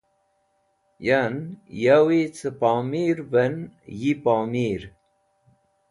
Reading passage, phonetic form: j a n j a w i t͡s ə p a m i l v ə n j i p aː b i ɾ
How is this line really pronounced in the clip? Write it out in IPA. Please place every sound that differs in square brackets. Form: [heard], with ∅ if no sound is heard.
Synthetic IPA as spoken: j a n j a w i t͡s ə p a m i [ɾ] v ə n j i p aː [m] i ɾ